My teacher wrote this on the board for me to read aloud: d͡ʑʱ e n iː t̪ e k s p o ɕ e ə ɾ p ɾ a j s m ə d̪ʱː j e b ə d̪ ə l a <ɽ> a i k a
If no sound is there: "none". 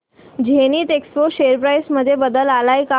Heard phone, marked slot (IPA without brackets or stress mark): l